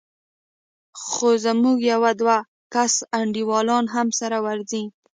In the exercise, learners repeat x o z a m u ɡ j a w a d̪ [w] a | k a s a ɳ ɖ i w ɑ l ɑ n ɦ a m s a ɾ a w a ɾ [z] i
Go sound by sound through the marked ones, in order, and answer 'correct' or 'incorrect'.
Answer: correct, correct

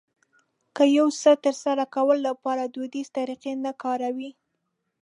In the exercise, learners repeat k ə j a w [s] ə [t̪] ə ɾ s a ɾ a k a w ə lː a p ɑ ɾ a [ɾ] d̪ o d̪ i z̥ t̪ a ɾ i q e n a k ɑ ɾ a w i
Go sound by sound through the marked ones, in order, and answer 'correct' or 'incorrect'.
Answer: correct, correct, incorrect: none

